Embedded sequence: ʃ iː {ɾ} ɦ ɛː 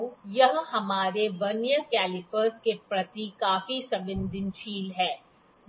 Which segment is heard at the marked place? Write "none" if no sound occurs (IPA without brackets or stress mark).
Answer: l